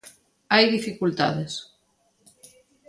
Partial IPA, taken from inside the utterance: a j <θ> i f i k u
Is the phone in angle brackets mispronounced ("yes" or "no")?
yes